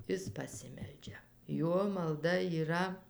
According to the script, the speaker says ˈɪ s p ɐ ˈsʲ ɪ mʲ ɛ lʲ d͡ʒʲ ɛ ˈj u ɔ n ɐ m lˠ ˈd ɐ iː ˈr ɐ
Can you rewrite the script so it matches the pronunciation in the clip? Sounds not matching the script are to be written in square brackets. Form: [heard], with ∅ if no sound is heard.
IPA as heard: ˈɪ s p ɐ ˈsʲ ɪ mʲ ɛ lʲ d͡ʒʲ ɛ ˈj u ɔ [m] ɐ [∅] lˠ ˈd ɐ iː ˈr ɐ